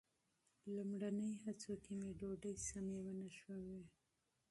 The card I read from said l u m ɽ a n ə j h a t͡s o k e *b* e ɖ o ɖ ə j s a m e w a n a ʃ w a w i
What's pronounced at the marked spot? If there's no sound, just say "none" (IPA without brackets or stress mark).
m